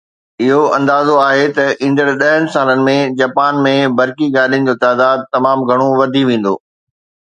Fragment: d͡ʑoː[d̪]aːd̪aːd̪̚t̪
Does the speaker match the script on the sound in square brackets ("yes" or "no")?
no